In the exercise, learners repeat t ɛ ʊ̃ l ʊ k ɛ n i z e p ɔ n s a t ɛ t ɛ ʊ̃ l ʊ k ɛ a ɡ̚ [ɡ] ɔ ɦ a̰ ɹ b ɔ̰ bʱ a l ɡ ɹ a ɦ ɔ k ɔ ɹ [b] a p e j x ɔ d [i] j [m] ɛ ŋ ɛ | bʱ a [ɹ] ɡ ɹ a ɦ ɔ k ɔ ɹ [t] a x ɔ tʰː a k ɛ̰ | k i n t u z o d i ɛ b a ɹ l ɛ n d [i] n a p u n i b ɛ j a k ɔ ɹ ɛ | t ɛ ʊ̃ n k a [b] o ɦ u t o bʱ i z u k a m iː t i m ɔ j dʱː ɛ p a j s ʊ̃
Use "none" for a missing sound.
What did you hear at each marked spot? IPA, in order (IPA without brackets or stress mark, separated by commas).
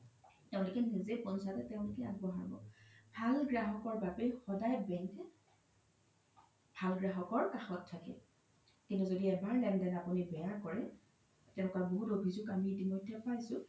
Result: b, b, a, b, l, k, ɛ, b